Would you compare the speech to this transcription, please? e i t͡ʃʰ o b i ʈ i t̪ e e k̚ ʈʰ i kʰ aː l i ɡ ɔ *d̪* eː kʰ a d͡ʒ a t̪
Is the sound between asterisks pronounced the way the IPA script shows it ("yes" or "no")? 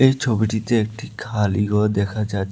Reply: yes